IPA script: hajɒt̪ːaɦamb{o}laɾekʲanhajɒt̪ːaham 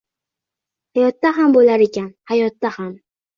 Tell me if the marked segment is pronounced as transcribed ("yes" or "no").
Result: yes